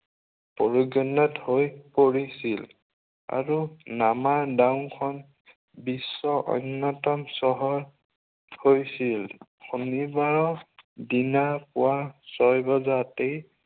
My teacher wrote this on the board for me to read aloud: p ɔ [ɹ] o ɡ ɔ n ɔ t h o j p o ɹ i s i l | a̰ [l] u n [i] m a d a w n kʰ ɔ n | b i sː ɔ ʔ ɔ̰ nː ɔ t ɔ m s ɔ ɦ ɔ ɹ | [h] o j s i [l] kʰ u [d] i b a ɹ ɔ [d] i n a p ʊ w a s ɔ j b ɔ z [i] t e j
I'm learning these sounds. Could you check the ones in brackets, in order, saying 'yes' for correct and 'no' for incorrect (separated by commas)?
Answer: yes, no, no, yes, yes, no, yes, no